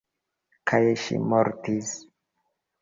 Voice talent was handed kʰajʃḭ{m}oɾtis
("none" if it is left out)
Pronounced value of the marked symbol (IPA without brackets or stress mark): m